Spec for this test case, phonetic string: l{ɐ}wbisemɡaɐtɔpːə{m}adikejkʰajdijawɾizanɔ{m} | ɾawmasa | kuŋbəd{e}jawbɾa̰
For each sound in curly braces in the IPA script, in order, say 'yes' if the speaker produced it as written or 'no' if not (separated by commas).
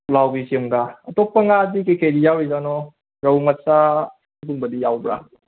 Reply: no, no, no, no